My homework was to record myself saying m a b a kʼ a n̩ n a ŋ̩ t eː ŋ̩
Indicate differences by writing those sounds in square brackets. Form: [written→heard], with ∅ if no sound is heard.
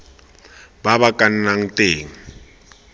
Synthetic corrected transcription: [m→b] a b a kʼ a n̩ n a ŋ̩ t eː ŋ̩